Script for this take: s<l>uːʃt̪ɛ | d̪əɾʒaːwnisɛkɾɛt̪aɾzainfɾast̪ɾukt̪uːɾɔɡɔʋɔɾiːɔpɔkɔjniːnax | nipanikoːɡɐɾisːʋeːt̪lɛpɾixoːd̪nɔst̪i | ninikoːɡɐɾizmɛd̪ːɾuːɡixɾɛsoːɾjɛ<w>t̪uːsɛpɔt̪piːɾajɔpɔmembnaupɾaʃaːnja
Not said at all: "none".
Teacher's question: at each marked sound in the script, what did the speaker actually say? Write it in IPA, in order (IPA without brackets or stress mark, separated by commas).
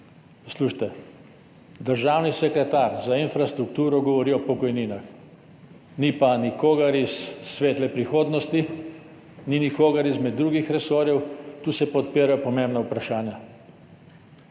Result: l, w